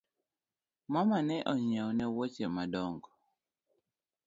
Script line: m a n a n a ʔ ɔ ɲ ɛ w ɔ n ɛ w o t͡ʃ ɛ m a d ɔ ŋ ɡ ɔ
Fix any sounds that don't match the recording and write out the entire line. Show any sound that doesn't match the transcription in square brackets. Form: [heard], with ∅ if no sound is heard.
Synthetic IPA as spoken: m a [m] a n [ɛ] ʔ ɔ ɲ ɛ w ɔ n ɛ w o t͡ʃ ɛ m a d ɔ ŋ ɡ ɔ